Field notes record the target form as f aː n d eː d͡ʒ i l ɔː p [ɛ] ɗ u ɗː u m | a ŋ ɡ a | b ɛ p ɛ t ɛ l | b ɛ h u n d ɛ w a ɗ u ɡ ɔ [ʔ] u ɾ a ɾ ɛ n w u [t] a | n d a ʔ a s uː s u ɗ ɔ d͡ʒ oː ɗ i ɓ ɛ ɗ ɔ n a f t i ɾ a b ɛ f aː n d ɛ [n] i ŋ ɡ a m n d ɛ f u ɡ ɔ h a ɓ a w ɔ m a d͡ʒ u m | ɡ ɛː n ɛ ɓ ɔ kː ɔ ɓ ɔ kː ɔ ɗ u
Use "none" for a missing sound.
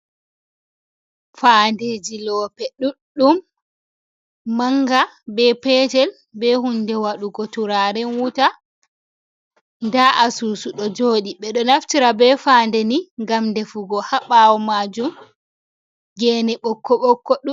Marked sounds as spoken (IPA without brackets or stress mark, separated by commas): ɛ, t, t, n